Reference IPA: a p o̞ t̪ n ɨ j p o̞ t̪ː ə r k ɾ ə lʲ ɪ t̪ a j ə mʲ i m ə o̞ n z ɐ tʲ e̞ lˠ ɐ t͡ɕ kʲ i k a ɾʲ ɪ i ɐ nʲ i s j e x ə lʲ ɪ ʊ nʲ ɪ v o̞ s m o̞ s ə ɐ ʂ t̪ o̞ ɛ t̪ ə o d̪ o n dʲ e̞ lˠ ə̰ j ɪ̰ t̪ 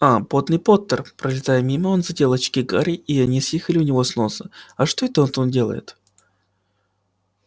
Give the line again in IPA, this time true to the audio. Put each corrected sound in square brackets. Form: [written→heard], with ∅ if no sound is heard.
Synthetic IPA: a p o̞ t̪ n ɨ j p o̞ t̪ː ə r [k→p] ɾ ə lʲ ɪ t̪ a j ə mʲ i m ə o̞ n z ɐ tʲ e̞ lˠ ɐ t͡ɕ kʲ i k a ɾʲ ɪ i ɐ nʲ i s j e x ə lʲ ɪ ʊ nʲ ɪ v o̞ s [m→n] o̞ s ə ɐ ʂ t̪ o̞ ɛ t̪ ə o [d̪→t̪] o n dʲ e̞ lˠ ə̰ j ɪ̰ t̪